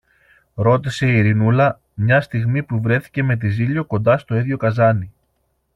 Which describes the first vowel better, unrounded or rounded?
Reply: rounded